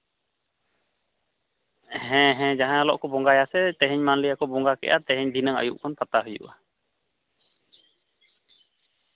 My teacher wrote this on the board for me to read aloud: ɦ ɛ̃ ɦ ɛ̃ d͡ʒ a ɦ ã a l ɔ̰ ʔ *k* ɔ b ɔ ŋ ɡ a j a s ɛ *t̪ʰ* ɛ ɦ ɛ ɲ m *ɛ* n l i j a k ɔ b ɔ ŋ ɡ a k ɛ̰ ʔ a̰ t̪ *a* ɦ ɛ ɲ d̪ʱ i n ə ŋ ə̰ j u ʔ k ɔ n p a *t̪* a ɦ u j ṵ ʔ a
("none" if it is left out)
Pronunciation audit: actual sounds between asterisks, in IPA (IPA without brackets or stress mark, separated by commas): k, t̪, a, ɛ, t̪